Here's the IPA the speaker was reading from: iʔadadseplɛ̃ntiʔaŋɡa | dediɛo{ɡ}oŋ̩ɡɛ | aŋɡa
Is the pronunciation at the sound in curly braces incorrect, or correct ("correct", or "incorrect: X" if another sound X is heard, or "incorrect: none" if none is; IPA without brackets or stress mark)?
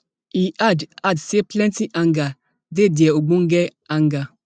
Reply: incorrect: ɡ͡b